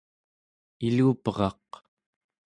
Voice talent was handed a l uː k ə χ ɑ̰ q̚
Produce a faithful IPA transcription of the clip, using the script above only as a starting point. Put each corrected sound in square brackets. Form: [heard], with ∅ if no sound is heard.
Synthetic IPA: [i] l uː [p] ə [ʁ] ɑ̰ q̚